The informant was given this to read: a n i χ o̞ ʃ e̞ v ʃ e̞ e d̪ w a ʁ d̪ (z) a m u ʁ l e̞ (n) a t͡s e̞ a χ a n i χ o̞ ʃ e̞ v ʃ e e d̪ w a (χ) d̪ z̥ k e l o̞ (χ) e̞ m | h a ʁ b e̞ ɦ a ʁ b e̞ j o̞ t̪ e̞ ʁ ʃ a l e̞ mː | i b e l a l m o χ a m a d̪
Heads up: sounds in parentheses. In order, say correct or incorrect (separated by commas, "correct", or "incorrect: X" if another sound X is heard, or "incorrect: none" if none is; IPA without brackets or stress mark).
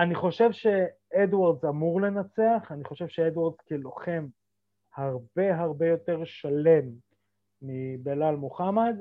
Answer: correct, correct, incorrect: ʁ, correct